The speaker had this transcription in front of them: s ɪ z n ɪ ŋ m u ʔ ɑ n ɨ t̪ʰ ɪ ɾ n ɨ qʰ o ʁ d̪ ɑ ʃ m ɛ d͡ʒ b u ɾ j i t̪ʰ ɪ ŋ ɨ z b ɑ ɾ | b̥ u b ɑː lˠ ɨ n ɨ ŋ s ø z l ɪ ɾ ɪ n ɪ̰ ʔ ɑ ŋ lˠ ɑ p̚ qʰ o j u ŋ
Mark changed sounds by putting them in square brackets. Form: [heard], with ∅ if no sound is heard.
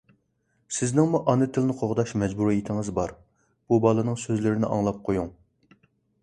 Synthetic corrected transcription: s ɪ z n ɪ ŋ m u ʔ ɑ n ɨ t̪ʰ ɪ [l] n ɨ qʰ o ʁ d̪ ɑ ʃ m ɛ d͡ʒ b u ɾ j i t̪ʰ ɪ ŋ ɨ z b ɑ ɾ | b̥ u b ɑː lˠ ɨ n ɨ ŋ s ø z l ɪ ɾ ɪ n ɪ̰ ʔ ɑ ŋ lˠ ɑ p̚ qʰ o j u ŋ